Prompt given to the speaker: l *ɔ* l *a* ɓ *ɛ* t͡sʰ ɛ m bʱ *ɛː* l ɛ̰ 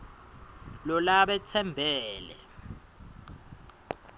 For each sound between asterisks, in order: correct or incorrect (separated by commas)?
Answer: correct, correct, correct, correct